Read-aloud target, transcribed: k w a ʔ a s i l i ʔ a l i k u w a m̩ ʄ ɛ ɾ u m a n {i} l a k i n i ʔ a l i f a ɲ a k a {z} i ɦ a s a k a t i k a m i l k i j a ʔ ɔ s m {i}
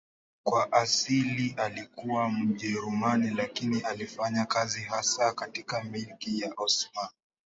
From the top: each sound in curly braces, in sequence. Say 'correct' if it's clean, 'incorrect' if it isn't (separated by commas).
correct, correct, incorrect